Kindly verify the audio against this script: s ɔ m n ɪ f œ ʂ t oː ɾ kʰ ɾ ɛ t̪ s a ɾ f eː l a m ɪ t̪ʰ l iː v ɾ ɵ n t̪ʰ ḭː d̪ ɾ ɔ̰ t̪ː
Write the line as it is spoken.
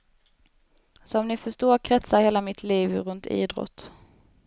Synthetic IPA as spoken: s ɔ m n ɪ f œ ʂ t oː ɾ kʰ ɾ ɛ t̪ s a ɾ h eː l a m ɪ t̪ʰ l iː v ɾ ɵ n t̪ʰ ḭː d̪ ɾ ɔ̰ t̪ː